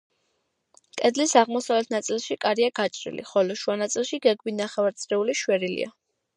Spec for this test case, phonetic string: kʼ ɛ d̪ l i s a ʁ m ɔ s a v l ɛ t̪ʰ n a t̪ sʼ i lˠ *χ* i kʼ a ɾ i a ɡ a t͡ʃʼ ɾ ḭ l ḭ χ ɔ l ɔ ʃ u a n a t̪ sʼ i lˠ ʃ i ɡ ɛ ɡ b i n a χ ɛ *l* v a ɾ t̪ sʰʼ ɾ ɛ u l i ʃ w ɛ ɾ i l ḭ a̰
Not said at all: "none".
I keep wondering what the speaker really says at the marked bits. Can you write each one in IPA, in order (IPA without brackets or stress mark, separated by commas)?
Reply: ʃ, none